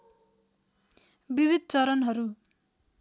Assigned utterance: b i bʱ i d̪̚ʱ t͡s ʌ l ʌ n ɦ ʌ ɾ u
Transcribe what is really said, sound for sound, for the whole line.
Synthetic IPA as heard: b i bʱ i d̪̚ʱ t͡s ʌ ɾ ʌ n ɦ ʌ ɾ u

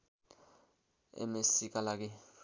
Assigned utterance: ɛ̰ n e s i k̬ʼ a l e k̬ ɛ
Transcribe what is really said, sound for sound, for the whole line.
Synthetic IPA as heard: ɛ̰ m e s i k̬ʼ a l a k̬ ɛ

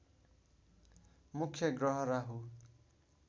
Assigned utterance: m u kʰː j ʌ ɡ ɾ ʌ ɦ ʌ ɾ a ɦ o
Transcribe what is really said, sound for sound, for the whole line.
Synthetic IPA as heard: m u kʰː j ʌ ɡ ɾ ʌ ɦ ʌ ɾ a ɦ u

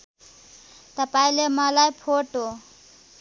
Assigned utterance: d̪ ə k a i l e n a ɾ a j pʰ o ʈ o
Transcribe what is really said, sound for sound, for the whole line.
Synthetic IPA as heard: t̪ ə p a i l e m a l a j pʰ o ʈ o

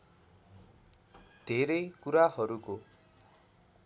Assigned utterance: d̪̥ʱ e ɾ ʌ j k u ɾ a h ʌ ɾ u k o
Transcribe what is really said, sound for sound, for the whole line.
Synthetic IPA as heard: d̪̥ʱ e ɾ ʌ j k u ɾ a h ʌ ɾ u k o

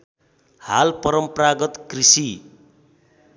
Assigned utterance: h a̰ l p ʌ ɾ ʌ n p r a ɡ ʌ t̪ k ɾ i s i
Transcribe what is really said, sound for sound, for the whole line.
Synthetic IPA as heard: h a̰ l p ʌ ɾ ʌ m p r a ɡ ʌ t̪ k r i s i

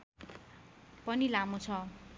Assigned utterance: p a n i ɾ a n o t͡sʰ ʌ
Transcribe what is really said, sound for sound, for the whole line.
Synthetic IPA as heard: p ʌ n i l a m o t͡sʰ ʌ

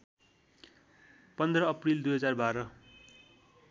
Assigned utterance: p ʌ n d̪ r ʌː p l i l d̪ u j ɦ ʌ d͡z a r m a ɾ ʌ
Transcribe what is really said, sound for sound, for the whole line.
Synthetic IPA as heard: p ʌ n d̪ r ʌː p r i l d̪ u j ɦ ʌ d͡z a r b a ɾ ʌ

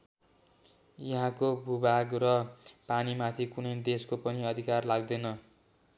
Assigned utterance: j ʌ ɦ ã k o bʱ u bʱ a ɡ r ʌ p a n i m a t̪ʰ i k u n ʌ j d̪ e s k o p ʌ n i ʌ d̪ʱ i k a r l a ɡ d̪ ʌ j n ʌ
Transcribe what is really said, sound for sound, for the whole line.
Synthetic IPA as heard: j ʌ ɦ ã k o bʱ u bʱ a ɡ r ʌ p a n i m a t̪ʰ i k u n ʌ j d̪ e s k o p ʌ n i ʌ d̪ʱ i k a r l a ɡ d̪ ʌ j n ʌ

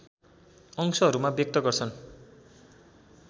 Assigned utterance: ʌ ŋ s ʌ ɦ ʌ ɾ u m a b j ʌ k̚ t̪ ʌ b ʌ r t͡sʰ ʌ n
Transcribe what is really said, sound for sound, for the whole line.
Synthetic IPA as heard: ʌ ŋ s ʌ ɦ ʌ ɾ u m a b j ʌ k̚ t̪ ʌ ɡ ʌ r t͡sʰ ʌ n

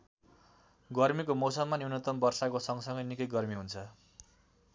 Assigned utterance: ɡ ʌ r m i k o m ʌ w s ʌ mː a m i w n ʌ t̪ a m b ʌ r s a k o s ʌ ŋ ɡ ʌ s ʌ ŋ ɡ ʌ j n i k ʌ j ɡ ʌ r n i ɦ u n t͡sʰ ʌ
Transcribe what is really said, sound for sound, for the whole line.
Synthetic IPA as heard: ɡ ʌ r m i k o m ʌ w s ʌ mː a n i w n ʌ t̪ ʌ m b ʌ r s a k o s ʌ ŋ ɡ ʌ s ʌ ŋ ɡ ʌ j n i k ʌ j ɡ ʌ r m i ɦ u n t͡sʰ ʌ

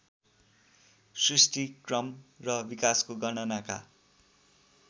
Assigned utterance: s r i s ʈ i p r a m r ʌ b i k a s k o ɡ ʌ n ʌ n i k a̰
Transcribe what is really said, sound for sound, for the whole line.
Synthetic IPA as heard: s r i s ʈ i k r ʌ m r ʌ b i k a s k o ɡ ʌ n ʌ n a k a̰

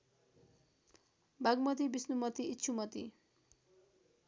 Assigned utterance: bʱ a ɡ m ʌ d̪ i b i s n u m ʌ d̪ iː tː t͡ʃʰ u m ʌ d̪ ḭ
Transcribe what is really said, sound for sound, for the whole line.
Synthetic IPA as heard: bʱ a ɡ m ʌ t̪ i b i s n u m ʌ t̪ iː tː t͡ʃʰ u m ʌ t̪ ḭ

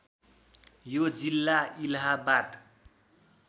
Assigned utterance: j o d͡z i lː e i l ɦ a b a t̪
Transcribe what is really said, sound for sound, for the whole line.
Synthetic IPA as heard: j o d͡z i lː a i l ɦ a b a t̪

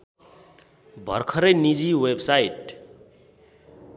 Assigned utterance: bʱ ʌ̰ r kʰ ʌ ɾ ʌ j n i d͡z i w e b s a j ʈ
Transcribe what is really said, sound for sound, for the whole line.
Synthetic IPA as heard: bʱ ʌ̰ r kʰ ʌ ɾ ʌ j n i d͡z i w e b s a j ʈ

